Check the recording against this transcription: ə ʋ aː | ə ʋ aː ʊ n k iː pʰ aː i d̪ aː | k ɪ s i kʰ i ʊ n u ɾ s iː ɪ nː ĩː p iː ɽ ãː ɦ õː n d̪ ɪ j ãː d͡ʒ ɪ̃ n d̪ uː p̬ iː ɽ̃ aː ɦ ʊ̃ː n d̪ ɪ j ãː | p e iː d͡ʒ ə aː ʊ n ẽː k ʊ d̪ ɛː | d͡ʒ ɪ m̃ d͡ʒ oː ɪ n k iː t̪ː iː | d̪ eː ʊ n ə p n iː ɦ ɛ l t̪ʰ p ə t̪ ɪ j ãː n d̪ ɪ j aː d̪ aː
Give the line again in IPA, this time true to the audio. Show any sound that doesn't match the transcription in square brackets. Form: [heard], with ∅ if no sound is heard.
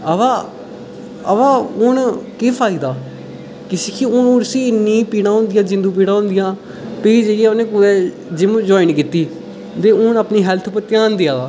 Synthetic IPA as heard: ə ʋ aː | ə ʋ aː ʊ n k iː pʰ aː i d̪ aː | k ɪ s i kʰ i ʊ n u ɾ s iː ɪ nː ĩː p iː ɽ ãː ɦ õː n d̪ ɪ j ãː d͡ʒ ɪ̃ n d̪ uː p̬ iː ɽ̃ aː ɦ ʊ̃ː n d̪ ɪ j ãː | p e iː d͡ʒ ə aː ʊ n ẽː k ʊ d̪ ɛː | d͡ʒ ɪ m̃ d͡ʒ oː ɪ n k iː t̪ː iː | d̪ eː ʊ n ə p n iː ɦ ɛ l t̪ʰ p ə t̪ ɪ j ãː n d̪ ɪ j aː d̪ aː